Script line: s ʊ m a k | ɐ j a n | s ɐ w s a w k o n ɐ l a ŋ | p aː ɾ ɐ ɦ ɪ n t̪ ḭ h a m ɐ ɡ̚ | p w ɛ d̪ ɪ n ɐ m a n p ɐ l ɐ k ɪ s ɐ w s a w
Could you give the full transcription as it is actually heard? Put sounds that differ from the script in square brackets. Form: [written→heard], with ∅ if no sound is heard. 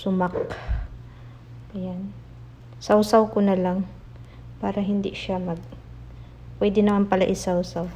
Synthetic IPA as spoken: s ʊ m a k | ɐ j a n | s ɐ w s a w k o n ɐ l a ŋ | p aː ɾ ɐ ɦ ɪ n [t̪→d̪] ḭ [h→ʃ] a m ɐ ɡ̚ | p w ɛ d̪ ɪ n ɐ m a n p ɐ l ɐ [k→ʔ] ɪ s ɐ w s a w